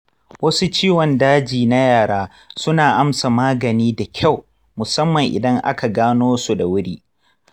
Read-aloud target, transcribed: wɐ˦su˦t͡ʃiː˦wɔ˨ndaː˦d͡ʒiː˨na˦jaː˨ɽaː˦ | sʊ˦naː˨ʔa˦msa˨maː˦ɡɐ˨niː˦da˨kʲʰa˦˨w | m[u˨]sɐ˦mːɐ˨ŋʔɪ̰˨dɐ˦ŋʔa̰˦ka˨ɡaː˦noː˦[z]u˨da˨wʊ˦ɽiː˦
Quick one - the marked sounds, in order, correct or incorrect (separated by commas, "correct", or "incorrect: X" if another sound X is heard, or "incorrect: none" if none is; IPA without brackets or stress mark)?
incorrect: ʊ˨, incorrect: s